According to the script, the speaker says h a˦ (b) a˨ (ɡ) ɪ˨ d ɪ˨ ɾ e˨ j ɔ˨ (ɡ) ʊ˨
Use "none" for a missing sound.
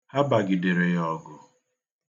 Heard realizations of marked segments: b, ɡ, ɡ

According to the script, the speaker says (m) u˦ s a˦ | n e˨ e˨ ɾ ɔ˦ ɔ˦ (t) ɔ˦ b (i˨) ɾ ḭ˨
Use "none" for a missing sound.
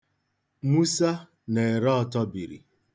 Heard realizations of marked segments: m, t, i˨

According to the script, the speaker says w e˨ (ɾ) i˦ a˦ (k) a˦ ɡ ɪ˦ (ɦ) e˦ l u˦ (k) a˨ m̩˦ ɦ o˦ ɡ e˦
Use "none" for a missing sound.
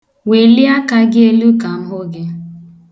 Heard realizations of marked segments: l, k, none, k

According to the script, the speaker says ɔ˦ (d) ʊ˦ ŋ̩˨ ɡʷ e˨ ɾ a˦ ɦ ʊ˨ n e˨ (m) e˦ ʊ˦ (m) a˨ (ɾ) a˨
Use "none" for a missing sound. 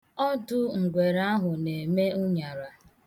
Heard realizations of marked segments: d, m, ɲ, ɾ

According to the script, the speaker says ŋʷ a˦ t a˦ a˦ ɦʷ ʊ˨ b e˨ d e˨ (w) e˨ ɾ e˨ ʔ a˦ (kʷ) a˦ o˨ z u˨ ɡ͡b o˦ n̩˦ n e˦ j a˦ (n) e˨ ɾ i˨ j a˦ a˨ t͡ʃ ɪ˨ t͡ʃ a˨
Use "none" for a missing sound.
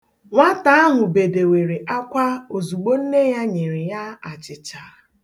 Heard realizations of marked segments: w, kʷ, ɲ

